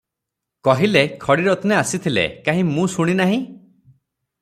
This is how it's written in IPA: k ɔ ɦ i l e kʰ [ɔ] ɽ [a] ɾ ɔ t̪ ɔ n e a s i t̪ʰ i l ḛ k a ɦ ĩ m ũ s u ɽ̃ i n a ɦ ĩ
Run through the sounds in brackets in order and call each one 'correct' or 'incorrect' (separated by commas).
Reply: correct, incorrect